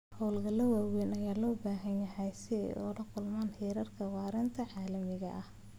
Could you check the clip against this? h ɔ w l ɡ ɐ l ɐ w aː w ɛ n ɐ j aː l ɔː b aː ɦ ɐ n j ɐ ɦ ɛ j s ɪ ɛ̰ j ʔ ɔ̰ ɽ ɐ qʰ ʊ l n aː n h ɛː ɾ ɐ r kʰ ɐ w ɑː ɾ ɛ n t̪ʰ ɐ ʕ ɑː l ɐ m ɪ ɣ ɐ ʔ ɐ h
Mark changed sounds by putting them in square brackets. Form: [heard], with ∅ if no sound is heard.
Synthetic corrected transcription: h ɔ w l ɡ ɐ l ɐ w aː w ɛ n ɐ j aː l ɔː b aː ɦ ɐ n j ɐ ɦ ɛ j s ɪ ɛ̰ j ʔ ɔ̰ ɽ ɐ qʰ ʊ l [m] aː n h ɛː ɾ ɐ r kʰ ɐ w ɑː ɾ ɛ n t̪ʰ ɐ ʕ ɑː l ɐ m ɪ ɣ ɐ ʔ ɐ h